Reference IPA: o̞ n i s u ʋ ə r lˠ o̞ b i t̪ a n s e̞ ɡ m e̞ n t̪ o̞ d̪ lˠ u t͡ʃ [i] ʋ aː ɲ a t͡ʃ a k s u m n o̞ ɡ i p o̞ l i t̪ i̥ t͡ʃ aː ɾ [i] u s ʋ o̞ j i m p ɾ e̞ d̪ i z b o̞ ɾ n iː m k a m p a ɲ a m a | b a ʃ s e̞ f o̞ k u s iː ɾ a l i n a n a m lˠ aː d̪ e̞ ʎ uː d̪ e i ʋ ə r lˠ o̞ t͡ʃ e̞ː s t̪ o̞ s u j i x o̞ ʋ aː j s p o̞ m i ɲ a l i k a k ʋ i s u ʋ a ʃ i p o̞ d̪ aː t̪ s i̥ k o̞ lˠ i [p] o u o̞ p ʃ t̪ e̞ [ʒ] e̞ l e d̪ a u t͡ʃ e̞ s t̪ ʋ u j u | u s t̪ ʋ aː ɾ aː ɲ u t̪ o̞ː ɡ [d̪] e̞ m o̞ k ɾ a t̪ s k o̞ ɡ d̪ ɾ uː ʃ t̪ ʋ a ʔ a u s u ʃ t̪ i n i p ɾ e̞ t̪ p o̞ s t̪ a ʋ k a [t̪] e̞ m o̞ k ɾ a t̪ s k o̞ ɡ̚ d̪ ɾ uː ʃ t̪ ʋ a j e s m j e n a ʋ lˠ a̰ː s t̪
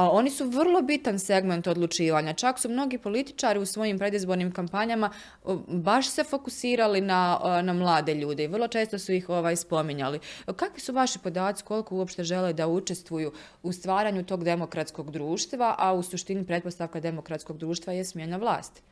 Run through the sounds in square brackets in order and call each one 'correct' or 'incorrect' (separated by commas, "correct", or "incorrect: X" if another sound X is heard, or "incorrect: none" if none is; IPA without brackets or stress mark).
incorrect: iː, correct, incorrect: k, correct, correct, incorrect: d̪